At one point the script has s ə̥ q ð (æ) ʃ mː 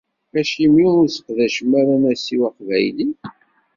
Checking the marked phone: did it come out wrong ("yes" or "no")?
no